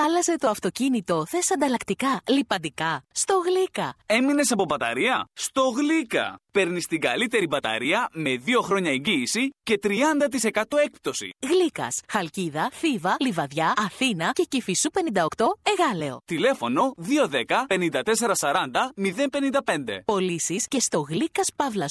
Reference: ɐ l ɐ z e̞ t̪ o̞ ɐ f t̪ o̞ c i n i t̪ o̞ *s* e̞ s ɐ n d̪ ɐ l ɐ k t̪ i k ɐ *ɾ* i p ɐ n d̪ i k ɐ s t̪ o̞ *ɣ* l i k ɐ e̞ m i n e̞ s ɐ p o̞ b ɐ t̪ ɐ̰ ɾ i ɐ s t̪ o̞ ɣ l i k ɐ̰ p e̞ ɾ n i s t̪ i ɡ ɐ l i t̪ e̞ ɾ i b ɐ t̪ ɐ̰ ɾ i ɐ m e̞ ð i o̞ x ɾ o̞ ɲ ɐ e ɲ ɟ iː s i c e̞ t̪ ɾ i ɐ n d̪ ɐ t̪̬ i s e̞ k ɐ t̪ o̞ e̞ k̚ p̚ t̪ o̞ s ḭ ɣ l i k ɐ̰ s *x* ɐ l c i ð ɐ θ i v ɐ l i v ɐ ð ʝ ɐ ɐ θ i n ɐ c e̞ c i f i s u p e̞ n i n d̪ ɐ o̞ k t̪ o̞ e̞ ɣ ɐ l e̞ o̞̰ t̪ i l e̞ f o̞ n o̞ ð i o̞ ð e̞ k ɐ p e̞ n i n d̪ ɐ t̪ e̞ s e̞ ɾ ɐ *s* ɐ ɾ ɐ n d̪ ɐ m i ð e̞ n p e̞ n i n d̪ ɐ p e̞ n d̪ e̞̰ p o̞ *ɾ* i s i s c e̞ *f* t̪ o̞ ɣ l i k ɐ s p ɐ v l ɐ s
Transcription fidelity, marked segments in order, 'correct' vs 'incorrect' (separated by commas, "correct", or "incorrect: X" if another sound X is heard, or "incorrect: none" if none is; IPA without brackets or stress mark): incorrect: θ, incorrect: l, correct, correct, correct, incorrect: l, incorrect: s